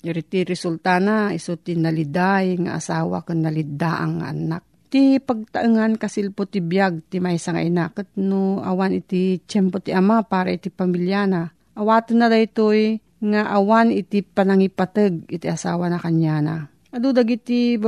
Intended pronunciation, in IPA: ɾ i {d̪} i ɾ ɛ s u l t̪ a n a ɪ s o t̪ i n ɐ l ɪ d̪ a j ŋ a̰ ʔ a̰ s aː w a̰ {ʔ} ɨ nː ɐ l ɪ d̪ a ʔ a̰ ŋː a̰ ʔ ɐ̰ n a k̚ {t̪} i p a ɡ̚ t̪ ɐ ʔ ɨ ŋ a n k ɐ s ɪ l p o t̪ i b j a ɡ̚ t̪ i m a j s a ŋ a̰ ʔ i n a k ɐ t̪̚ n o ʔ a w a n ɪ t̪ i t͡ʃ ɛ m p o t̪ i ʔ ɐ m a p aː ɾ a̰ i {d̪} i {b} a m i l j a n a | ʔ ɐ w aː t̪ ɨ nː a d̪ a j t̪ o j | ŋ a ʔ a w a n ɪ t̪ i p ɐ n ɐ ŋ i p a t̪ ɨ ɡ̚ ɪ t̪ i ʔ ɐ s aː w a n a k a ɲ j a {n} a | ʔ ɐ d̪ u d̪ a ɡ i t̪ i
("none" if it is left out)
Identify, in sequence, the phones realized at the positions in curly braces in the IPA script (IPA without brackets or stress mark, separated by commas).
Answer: t̪, k, t̪, t̪, p, n